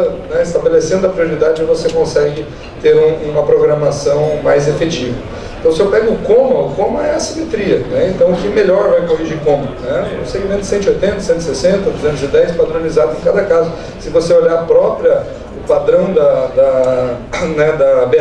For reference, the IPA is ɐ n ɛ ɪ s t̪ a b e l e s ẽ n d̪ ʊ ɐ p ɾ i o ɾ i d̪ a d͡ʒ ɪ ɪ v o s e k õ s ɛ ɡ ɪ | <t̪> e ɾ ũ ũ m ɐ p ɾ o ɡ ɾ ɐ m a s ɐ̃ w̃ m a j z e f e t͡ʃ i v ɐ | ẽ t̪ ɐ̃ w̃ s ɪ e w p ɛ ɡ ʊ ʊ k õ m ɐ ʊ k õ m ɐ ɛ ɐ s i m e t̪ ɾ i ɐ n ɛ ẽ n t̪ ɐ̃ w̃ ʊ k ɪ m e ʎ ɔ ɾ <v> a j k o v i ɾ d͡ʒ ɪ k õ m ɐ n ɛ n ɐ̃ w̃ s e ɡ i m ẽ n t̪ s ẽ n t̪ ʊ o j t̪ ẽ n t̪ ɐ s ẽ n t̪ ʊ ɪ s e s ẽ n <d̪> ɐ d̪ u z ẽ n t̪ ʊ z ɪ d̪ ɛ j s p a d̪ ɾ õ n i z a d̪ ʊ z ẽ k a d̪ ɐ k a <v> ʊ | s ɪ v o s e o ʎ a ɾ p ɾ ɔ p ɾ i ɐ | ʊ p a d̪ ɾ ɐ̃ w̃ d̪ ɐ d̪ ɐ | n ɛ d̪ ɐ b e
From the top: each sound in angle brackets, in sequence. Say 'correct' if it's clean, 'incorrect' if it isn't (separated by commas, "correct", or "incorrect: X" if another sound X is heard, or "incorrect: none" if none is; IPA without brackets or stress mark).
correct, correct, incorrect: t̪, incorrect: z